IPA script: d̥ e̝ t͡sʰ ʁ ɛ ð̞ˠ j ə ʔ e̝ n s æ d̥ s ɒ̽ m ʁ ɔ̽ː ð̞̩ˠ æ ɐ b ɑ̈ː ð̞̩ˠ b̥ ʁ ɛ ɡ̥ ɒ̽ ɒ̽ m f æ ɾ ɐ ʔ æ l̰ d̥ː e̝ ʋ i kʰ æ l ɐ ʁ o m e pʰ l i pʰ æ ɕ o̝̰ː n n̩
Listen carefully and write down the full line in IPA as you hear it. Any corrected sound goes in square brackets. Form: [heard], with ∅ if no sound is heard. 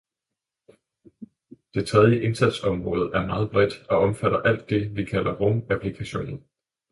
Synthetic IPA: d̥ e̝ t͡sʰ ʁ ɛ ð̞ˠ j ə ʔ e̝ n s æ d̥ s ɒ̽ m ʁ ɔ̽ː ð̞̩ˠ æ ɐ [m] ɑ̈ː ð̞̩ˠ b̥ ʁ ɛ [d̥] ɒ̽ ɒ̽ m f æ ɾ ɐ ʔ æ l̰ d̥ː e̝ ʋ i kʰ æ l ɐ ʁ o m [æ] pʰ l i [kʰ] æ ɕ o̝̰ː n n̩